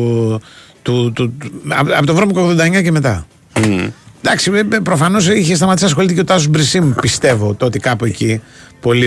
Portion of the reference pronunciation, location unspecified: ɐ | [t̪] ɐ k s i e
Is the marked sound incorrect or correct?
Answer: incorrect